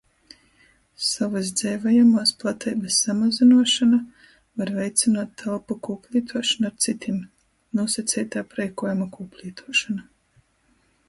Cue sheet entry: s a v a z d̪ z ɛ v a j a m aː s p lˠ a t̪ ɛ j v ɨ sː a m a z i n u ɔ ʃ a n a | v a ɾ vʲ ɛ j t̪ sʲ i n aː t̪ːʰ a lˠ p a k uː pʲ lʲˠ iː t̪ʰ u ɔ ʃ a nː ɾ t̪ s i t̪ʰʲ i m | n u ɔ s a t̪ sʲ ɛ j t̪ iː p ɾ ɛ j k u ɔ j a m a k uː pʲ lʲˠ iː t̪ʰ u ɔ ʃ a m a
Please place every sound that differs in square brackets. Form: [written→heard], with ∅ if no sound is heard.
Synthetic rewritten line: s a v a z d̪ z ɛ v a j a m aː s p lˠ a t̪ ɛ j [v→b] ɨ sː a m a z i n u ɔ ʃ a n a | v a ɾ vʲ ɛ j t̪ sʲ i n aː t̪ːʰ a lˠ p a k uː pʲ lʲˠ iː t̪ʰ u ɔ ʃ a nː ɾ t̪ s i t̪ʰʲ i m | n u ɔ s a t̪ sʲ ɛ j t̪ [iː→aː] p ɾ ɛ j k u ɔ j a m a k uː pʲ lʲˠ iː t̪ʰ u ɔ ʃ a [m→n] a